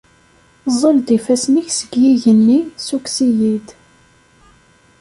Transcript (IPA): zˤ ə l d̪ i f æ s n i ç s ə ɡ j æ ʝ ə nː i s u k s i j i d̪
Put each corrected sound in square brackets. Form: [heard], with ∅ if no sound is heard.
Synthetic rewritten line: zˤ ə l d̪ i f æ s n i ç s ə ɡ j [i] ʝ ə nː i s u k s i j i d̪